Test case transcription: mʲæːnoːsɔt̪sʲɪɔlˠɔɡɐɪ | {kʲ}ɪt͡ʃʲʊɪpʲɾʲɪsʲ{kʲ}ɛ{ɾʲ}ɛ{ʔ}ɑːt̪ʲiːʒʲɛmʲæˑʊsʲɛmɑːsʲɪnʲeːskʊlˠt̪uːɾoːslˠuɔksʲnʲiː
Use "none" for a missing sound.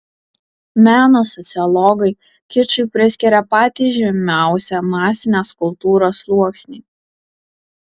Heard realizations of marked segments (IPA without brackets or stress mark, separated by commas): kʲ, kʲ, ɾʲ, p